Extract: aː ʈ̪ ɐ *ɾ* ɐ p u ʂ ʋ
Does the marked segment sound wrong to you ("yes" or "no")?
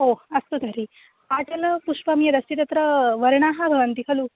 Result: yes